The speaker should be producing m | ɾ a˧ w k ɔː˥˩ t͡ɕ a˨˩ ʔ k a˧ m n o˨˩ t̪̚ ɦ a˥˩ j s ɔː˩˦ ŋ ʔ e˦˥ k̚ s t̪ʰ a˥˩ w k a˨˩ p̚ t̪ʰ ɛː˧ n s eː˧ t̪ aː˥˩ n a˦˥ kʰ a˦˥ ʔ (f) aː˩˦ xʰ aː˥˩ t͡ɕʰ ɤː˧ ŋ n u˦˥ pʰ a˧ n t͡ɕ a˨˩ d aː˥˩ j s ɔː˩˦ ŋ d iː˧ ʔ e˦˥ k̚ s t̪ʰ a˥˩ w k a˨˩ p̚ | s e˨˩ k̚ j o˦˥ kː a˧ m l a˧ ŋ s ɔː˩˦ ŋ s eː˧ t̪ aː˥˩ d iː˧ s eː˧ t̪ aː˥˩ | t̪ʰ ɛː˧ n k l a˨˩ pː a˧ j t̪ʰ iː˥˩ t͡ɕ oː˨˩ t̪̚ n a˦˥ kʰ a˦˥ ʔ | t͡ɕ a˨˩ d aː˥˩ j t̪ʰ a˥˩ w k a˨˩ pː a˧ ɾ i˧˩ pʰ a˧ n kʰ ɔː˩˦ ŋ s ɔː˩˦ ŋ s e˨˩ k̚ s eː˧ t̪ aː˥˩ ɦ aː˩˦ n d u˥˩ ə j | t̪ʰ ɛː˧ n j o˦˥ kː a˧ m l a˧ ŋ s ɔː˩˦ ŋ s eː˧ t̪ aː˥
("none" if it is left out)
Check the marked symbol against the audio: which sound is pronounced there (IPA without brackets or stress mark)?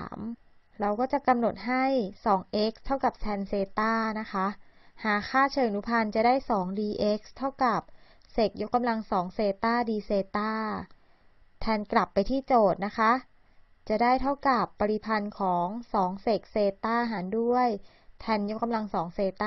h